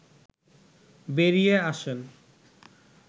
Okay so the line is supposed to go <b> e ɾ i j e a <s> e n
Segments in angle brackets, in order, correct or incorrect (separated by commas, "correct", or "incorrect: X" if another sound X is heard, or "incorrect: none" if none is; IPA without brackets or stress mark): correct, incorrect: ʃ